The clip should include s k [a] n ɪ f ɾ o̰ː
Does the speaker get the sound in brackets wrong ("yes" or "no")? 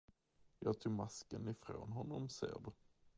yes